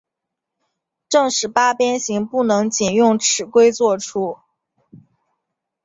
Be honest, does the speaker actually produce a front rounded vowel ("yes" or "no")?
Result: no